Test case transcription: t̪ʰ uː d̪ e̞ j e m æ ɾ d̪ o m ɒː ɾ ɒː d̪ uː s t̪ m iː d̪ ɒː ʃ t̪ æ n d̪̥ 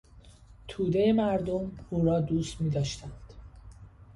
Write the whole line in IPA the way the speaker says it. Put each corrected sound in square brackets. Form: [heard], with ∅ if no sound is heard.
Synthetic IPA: t̪ʰ uː d̪ e̞ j e m æ ɾ d̪ o m [uː] ɾ ɒː d̪ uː s t̪ m iː d̪ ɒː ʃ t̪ æ n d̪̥